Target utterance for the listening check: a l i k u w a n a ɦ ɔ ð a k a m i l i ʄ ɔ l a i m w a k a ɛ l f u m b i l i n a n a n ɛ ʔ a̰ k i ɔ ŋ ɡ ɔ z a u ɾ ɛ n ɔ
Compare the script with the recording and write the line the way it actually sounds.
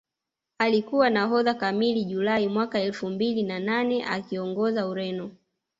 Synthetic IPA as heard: a l i k u w a n a ɦ ɔ ð a k a m i l i ʄ u l a i m w a k a ɛ l f u m b i l i n a n a n ɛ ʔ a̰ k i ɔ ŋ ɡ ɔ z a u ɾ ɛ n ɔ